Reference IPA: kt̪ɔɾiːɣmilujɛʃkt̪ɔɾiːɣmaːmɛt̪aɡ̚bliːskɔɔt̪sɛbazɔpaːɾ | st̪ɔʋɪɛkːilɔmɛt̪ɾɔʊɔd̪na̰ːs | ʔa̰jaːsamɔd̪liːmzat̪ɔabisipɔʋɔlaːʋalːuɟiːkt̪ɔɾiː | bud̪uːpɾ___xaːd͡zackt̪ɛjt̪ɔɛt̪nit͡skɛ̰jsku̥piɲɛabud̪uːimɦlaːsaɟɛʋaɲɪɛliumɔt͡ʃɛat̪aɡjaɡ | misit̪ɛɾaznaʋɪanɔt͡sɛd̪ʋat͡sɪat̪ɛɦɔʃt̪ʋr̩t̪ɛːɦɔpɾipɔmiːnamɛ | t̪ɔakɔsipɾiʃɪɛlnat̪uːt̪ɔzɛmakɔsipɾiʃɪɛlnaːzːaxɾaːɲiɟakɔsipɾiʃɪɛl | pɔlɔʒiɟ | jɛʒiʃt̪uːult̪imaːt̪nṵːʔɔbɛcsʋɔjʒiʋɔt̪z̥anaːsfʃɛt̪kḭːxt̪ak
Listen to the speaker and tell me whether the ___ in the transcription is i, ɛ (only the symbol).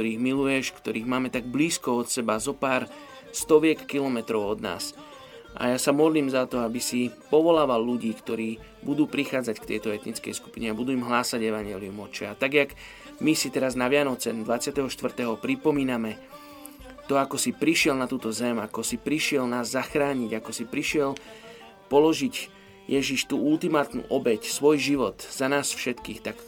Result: i